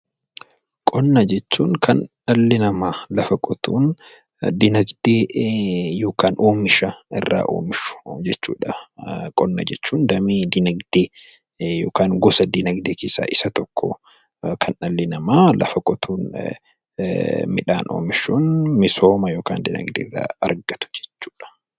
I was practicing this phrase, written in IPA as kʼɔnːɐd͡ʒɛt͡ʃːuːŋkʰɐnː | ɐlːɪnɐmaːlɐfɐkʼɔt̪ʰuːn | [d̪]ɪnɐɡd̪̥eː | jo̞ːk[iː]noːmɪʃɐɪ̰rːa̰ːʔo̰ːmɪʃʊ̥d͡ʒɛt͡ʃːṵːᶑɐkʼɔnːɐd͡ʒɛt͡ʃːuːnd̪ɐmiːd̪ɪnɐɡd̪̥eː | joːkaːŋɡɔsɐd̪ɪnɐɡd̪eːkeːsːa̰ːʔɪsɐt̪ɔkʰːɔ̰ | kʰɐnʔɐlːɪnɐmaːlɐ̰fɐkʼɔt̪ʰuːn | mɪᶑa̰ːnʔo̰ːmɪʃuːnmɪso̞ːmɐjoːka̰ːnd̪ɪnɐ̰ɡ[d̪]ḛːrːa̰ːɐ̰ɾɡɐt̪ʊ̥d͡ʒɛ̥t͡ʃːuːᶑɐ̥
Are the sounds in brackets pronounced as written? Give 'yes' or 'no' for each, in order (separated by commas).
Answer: yes, no, yes